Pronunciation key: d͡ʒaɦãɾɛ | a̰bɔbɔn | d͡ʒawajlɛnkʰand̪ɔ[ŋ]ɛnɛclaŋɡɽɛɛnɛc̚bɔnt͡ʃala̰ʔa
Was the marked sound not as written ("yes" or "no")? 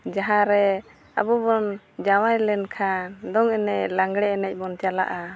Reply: no